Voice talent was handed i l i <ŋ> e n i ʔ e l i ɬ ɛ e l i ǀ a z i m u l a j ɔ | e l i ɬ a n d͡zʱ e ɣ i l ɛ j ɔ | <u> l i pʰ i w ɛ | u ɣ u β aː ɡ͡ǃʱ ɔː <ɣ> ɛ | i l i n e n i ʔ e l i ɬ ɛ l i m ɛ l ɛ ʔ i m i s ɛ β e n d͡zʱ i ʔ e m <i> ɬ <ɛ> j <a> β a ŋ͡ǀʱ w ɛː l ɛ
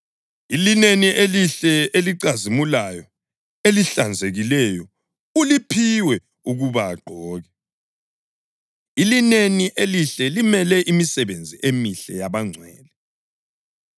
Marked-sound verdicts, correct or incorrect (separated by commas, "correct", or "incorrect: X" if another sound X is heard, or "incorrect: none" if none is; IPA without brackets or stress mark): incorrect: n, correct, correct, correct, correct, correct